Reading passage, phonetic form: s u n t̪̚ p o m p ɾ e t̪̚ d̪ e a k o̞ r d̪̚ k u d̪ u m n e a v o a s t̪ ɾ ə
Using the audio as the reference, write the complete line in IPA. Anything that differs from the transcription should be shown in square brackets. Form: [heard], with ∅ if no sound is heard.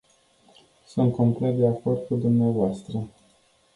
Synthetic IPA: s u n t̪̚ [k] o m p [l] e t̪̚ d̪ e a k o̞ r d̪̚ k u d̪ u m n e a v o a s t̪ ɾ ə